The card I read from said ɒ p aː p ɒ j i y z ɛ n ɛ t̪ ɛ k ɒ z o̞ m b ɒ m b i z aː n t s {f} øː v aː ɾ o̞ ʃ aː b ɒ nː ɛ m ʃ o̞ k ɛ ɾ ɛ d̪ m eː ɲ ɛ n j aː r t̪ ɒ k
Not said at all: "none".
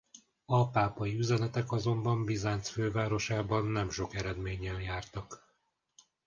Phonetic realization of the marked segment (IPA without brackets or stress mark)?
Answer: f